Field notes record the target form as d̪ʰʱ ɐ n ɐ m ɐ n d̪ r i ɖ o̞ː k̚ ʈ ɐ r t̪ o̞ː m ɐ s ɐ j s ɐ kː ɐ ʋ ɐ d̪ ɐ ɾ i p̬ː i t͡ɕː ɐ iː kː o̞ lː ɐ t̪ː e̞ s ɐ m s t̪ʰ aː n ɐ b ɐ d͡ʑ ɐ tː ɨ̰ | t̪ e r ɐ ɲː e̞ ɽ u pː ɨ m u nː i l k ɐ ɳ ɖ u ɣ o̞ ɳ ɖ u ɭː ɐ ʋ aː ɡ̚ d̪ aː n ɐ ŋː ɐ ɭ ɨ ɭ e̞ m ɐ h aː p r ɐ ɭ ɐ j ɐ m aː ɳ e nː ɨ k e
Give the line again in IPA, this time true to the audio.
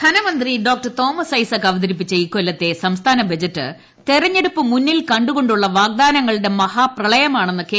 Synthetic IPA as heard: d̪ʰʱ ɐ n ɐ m ɐ n d̪ r i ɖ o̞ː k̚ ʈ ɐ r t̪ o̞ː m ɐ s ɐ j s ɐ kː ɐ ʋ ɐ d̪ ɐ ɾ i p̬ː i t͡ɕː ɐ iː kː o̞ lː ɐ t̪ː e̞ s ɐ m s t̪ʰ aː n ɐ b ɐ d͡ʑ ɐ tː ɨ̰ | t̪ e r ɐ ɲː e̞ ɽ u pː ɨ m u nː i l k ɐ ɳ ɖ u ɣ o̞ ɳ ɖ u ɭː ɐ ʋ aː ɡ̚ d̪ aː n ɐ ŋː ɐ ɭ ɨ ɽ e̞ m ɐ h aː p r ɐ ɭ ɐ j ɐ m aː ɳ e nː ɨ k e